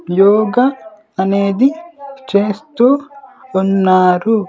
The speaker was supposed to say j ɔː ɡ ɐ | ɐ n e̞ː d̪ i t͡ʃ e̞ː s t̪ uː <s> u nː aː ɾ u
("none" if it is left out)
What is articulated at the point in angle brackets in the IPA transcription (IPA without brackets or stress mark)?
none